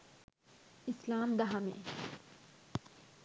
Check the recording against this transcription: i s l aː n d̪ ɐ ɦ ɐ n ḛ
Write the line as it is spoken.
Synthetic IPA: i s l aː m d̪ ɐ ɦ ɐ m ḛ